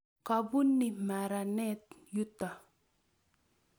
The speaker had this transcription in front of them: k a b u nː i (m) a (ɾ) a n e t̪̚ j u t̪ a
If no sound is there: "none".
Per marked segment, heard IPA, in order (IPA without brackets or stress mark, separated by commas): m, ɾ